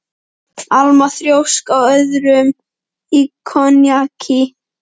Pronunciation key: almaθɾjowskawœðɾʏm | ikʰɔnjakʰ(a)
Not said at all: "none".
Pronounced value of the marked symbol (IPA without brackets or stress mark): i